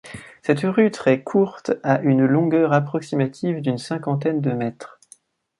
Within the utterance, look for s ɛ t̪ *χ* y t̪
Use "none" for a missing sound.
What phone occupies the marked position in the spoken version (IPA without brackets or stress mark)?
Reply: ʁ